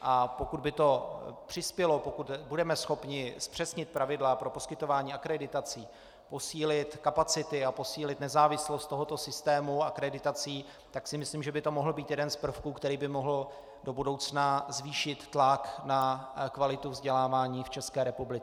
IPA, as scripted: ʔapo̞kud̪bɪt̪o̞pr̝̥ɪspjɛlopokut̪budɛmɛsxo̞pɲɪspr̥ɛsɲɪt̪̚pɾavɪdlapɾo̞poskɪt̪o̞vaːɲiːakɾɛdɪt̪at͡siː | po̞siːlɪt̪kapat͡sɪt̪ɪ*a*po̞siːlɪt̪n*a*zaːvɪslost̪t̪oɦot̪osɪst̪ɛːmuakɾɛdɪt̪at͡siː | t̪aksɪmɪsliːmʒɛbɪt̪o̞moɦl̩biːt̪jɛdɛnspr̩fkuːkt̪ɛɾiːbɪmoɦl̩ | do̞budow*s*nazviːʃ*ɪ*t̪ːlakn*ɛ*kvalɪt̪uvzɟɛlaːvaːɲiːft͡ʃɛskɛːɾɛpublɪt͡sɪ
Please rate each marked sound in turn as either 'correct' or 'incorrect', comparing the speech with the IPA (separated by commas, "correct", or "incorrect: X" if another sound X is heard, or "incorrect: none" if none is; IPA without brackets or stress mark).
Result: correct, incorrect: ɛ, incorrect: t͡s, correct, incorrect: a